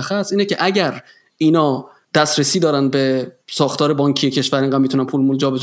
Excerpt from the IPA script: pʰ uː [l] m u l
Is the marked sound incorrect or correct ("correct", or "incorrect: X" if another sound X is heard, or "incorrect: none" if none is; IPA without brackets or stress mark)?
correct